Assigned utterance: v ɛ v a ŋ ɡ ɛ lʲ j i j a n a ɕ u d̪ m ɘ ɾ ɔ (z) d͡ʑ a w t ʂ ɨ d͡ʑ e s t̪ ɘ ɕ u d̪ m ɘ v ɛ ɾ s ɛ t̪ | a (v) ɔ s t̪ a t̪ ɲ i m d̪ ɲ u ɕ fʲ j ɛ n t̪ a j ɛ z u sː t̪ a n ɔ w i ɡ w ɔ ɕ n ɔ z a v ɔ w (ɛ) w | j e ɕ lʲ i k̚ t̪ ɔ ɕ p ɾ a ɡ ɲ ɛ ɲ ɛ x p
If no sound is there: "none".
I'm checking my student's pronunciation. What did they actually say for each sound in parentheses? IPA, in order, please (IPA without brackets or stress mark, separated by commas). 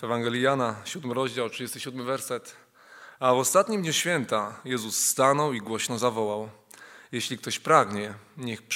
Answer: ʑ, v, a